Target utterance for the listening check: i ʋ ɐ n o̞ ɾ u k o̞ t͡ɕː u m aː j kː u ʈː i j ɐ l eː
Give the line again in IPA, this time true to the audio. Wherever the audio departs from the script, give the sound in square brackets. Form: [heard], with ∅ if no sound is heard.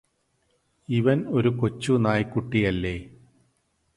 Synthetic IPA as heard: i ʋ ɐ n o̞ ɾ u k o̞ t͡ɕː u [n] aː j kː u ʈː i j ɐ [lː] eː